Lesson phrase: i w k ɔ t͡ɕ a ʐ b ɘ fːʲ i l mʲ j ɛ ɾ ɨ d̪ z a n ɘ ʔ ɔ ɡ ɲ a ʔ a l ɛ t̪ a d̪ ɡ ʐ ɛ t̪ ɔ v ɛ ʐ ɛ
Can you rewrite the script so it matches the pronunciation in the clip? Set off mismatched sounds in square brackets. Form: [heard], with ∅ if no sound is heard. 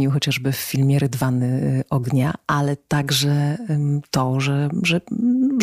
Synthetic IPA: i w [x] ɔ t͡ɕ a ʐ b ɘ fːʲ i l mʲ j ɛ ɾ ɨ d̪ [v] a n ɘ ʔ ɔ ɡ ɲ a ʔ a l ɛ t̪ a [∅] ɡ ʐ ɛ t̪ ɔ [ʐ] ɛ ʐ ɛ